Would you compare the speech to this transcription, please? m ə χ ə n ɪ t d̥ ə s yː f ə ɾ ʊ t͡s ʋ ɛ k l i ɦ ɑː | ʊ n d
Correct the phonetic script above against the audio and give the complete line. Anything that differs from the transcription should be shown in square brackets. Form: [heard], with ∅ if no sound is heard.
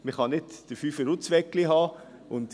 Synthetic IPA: m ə χ [ɑ] n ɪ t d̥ ə [f] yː f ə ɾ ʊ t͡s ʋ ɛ k l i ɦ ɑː | ʊ n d